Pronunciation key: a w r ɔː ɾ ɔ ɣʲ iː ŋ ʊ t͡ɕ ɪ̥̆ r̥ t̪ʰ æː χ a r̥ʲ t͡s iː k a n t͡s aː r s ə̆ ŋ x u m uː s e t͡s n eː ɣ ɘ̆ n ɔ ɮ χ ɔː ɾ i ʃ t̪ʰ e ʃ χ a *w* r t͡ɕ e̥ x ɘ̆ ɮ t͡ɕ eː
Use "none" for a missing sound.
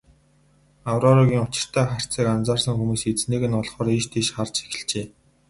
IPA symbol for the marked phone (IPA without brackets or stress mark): none